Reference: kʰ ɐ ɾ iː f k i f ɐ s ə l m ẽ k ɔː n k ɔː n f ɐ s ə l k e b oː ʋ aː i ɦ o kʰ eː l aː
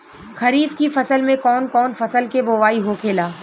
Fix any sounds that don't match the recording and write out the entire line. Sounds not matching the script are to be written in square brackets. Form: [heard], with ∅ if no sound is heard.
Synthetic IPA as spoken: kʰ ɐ ɾ iː f k i f ɐ s ə l m ẽ k ɔː n k ɔː n f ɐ s ə l k e b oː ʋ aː i ɦ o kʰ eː l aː